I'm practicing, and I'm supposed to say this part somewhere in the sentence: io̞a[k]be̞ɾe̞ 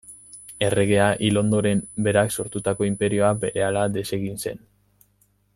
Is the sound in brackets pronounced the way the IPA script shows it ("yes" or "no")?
no